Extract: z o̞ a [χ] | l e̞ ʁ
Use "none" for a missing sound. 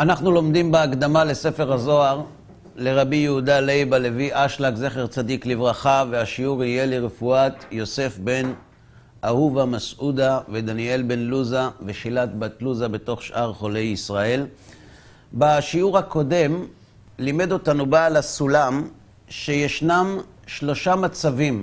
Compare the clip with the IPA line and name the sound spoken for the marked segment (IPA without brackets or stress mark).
ʁ